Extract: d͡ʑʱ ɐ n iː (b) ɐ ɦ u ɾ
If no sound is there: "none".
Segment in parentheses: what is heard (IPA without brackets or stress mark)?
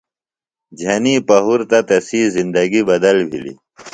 p